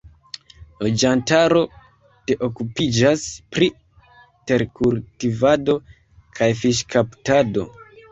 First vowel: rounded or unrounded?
rounded